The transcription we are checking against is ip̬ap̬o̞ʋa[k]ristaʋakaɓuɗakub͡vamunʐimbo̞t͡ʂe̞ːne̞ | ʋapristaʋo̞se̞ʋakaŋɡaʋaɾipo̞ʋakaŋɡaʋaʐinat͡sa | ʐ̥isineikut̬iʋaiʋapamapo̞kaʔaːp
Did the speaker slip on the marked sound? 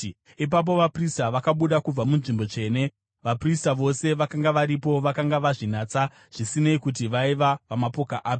yes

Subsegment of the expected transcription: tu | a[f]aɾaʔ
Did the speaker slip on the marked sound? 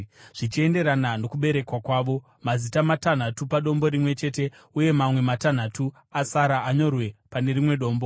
yes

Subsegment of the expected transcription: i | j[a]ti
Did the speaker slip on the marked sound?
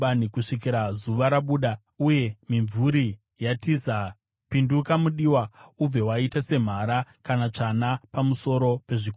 no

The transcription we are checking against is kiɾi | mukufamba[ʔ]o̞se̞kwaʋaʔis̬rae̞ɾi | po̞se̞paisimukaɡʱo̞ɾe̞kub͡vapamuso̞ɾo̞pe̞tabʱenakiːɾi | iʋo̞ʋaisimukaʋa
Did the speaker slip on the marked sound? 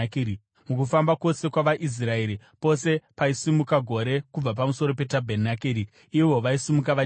yes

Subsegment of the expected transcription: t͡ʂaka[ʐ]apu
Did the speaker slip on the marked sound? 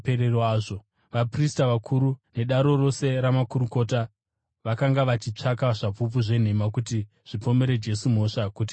no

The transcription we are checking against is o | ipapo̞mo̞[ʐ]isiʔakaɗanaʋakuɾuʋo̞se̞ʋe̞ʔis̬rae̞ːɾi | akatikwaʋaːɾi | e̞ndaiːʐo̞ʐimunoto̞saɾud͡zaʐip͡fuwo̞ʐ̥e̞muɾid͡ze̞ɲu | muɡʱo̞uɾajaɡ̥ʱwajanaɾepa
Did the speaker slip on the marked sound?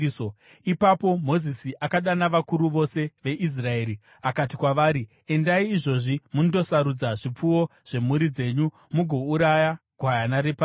yes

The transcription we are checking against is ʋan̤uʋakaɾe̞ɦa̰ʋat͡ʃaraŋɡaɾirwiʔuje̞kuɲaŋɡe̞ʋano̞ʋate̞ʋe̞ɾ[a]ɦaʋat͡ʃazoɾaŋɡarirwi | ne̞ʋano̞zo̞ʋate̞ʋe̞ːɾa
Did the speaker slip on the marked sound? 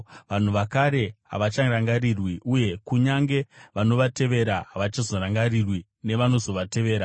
no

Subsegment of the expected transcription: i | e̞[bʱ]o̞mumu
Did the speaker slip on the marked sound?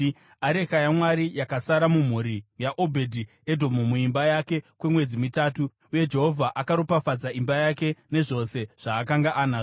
yes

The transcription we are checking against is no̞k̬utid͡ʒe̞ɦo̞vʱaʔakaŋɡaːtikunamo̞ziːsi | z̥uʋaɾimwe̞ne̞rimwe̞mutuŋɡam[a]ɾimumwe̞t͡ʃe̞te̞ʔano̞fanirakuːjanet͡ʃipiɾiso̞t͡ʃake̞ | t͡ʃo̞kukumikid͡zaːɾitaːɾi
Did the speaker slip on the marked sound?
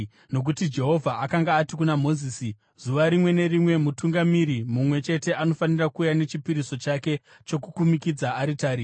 yes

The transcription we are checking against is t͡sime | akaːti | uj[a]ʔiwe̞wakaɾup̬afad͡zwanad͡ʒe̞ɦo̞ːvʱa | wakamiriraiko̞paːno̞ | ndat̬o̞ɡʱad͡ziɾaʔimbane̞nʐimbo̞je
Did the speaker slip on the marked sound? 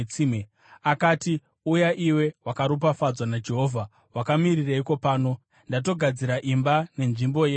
no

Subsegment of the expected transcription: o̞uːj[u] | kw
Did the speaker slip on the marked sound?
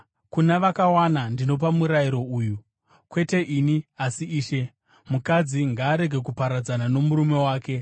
no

